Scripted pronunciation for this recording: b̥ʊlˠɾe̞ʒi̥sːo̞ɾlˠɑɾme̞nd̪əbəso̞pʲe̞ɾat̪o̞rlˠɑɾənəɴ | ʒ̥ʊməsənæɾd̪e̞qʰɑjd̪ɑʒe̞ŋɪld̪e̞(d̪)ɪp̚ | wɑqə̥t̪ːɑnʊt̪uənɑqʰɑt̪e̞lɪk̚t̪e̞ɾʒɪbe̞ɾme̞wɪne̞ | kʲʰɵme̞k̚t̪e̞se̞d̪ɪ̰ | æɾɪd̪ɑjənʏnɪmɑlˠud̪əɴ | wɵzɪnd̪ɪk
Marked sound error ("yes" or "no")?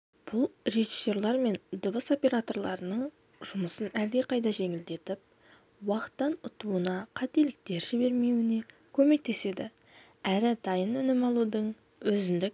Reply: yes